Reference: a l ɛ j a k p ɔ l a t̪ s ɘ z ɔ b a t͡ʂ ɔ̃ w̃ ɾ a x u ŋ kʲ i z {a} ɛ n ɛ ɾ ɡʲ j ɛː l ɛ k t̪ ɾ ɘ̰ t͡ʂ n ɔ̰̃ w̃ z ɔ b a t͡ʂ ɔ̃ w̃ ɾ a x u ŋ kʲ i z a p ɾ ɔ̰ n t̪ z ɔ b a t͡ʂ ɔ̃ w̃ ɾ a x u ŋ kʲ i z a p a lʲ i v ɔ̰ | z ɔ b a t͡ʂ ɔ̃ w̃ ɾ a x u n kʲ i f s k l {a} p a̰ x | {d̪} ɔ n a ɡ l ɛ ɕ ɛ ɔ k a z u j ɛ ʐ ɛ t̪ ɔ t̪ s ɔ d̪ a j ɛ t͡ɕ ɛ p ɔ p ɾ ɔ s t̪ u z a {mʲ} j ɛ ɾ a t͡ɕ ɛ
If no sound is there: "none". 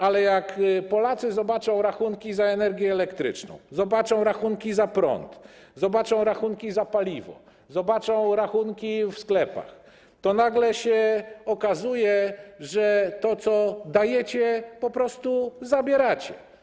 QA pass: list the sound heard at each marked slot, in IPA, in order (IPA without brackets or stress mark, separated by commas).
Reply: a, ɛ, t̪, bʲ